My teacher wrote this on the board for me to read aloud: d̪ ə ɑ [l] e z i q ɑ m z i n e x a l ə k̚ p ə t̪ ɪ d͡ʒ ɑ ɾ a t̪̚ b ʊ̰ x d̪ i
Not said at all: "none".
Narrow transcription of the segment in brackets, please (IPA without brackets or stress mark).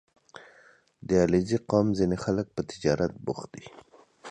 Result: l